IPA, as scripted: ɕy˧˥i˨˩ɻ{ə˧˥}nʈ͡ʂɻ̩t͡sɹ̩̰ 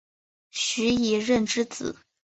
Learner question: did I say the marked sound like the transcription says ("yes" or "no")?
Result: no